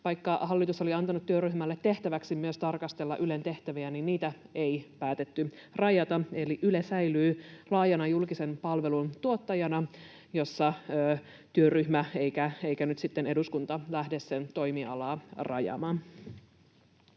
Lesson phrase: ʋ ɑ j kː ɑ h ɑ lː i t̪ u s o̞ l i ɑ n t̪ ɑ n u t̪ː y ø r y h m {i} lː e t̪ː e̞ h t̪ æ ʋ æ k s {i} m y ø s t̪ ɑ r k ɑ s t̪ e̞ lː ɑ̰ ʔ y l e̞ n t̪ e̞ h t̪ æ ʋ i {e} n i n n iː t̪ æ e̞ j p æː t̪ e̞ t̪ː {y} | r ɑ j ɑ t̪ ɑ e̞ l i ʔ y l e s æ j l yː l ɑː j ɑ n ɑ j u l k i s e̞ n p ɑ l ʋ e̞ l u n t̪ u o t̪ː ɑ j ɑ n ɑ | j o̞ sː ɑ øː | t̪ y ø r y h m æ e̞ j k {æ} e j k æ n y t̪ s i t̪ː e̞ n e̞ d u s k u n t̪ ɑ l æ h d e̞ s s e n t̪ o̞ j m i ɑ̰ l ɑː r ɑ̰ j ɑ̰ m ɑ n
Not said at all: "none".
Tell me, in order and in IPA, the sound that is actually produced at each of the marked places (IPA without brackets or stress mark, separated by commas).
æ, i, æ, y, æ